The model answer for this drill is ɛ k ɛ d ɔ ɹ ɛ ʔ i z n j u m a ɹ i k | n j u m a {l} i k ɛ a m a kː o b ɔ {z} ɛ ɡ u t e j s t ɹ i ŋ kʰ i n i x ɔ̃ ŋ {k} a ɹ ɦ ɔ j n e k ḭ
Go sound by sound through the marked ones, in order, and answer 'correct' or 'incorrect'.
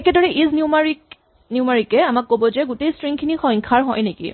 incorrect: ɹ, correct, incorrect: kʰ

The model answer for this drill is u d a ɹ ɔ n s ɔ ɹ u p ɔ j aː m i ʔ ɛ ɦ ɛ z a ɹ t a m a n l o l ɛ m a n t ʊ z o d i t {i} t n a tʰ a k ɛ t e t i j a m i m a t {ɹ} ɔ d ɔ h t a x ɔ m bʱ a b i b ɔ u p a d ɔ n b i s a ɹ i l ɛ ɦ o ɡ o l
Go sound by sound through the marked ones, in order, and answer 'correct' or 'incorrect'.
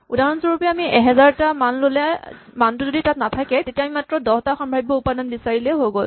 incorrect: a, correct

